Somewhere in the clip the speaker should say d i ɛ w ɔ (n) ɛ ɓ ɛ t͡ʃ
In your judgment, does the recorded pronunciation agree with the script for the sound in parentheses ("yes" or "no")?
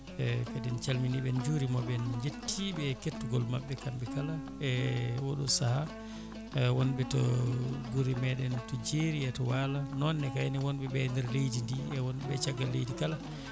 yes